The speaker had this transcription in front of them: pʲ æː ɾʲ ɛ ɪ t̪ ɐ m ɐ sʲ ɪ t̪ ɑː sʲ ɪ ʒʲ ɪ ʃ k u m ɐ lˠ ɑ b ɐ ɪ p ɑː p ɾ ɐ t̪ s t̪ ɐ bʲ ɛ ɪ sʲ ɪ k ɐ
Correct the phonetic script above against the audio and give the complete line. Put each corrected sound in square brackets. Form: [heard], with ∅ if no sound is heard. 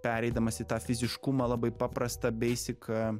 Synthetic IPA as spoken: pʲ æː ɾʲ ɛ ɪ [d̪] ɐ m ɐ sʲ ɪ t̪ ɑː [fʲ] ɪ [zʲ] ɪ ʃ k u m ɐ lˠ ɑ b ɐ ɪ p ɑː p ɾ ɐ [∅] s t̪ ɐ bʲ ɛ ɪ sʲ ɪ k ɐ

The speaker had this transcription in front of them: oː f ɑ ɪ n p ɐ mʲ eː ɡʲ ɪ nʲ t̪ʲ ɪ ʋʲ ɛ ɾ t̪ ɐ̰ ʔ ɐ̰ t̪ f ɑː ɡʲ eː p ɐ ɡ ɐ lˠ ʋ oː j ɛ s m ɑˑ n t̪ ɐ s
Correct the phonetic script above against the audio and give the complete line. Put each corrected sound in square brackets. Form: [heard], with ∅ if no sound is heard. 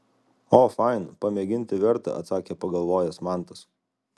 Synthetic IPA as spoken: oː f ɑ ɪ n p ɐ mʲ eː ɡʲ ɪ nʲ t̪ʲ ɪ ʋʲ ɛ ɾ t̪ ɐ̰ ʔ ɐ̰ t̪ [s] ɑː [kʲ] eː p ɐ ɡ ɐ lˠ ʋ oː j ɛ s m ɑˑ n t̪ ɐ s

